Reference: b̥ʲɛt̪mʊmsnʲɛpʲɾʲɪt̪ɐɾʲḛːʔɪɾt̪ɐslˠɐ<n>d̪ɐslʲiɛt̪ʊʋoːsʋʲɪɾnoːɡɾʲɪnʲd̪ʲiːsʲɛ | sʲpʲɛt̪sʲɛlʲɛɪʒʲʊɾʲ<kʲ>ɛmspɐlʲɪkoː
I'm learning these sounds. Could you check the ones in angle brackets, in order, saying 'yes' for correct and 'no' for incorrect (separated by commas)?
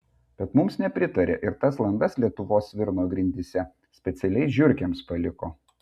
yes, yes